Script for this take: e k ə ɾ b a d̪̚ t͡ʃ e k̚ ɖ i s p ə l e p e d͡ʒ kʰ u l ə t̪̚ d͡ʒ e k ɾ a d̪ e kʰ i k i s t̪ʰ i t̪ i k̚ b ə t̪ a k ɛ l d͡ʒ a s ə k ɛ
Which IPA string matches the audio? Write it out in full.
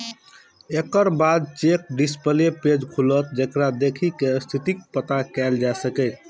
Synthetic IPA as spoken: e k ə ɾ b a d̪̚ t͡ʃ e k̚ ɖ i s p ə l e p e d͡ʒ kʰ u l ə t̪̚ d͡ʒ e k ɾ a d̪ e kʰ i k e s t̪ʰ i t̪ i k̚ p ə t̪ a k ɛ l d͡ʒ a s ə k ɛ